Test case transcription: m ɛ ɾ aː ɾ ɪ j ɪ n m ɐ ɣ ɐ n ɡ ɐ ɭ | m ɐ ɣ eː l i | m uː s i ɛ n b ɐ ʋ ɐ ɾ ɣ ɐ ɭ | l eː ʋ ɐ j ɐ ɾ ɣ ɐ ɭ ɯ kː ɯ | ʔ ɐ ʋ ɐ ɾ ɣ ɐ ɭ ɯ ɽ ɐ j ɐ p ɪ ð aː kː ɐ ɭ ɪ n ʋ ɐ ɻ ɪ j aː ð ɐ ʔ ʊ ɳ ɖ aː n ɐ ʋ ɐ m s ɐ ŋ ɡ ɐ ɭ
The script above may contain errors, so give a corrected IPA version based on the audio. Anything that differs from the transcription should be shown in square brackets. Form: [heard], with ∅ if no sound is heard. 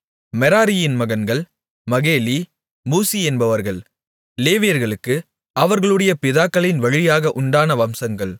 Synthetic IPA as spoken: m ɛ ɾ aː ɾ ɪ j ɪ n m ɐ ɣ ɐ n ɡ ɐ ɭ | m ɐ ɣ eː l i | m uː s i ɛ n b ɐ ʋ ɐ ɾ ɣ ɐ ɭ | l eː ʋ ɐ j ɐ ɾ ɣ ɐ ɭ ɯ kː ɯ | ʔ ɐ ʋ ɐ ɾ ɣ ɐ ɭ ɯ ɽ ɐ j ɐ p ɪ ð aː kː ɐ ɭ ɪ n ʋ ɐ ɻ ɪ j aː [ɣ] ɐ ʔ ʊ ɳ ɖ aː n ɐ ʋ ɐ m s ɐ ŋ ɡ ɐ ɭ